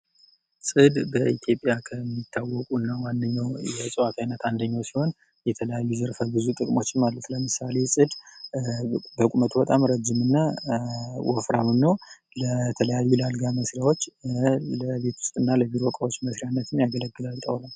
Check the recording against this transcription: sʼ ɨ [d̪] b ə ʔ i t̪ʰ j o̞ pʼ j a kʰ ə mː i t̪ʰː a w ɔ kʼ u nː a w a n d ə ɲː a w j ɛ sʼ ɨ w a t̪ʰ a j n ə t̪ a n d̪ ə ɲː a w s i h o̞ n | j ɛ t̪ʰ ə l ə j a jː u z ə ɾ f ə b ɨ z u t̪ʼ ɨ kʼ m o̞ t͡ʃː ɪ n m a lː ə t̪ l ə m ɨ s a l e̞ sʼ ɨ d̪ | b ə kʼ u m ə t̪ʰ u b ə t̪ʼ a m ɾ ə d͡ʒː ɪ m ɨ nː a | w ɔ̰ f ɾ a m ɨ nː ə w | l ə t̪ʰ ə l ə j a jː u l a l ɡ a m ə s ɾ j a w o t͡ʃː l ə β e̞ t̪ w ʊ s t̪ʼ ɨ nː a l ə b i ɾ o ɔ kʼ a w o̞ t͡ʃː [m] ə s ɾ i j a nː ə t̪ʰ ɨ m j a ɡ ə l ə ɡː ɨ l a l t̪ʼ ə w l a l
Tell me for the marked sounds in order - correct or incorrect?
correct, correct

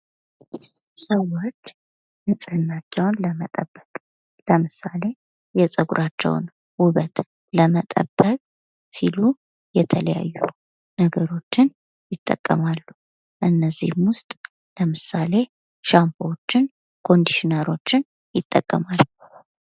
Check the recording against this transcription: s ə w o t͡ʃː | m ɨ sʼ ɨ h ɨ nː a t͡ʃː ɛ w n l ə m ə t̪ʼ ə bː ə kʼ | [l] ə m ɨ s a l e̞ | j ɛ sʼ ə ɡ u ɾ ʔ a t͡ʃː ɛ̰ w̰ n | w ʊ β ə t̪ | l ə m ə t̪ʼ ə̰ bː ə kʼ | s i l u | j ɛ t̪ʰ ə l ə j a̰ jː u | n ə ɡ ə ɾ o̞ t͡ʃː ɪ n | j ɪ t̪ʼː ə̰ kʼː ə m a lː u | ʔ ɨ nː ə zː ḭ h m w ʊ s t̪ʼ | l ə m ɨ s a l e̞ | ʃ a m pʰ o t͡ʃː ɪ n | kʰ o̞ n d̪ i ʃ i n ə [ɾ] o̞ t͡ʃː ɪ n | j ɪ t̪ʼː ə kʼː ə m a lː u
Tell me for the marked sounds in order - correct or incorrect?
correct, correct

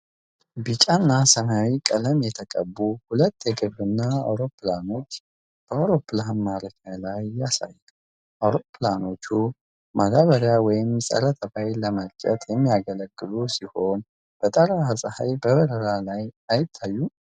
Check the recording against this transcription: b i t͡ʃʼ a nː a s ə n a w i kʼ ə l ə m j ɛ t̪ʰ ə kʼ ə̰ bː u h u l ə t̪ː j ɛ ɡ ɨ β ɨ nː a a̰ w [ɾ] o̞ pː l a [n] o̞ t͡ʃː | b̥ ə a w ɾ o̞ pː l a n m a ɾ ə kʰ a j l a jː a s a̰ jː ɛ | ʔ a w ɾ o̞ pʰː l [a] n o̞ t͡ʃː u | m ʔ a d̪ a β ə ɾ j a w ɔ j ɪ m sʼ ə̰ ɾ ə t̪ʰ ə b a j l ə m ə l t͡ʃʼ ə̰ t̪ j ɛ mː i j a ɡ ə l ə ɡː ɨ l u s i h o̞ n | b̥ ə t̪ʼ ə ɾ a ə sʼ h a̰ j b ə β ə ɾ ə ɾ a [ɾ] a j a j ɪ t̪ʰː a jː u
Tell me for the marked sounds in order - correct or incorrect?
correct, correct, correct, incorrect: l

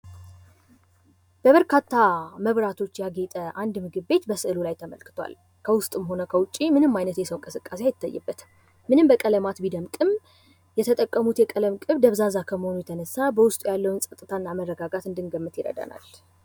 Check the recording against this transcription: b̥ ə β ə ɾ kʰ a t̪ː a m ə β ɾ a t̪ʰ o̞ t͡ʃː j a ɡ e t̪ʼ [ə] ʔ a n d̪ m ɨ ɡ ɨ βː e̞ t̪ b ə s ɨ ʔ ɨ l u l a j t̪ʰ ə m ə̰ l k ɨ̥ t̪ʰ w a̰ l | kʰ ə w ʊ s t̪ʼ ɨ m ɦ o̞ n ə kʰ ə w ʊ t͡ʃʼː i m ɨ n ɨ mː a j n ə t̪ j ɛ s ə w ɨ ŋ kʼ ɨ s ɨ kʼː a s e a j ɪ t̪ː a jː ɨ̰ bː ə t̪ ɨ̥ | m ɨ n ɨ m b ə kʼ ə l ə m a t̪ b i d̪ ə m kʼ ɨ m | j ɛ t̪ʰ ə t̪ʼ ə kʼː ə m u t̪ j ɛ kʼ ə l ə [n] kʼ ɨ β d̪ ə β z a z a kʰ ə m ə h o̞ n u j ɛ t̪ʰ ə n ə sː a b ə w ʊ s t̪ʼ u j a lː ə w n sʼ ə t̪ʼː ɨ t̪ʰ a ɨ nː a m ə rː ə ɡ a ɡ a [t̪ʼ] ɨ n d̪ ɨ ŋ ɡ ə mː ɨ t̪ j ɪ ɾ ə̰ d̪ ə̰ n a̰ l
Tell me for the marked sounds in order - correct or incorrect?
correct, incorrect: m, incorrect: t̪

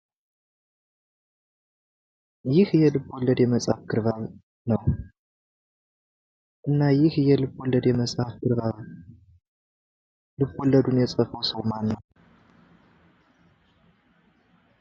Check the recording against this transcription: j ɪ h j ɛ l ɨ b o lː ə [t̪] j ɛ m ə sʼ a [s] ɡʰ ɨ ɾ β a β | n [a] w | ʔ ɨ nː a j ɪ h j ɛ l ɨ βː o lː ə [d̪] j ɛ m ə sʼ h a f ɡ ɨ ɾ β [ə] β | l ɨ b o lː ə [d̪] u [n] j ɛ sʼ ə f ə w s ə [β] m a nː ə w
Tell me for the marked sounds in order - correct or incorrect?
incorrect: d̪, incorrect: f, incorrect: ə, correct, incorrect: a, correct, correct, incorrect: w

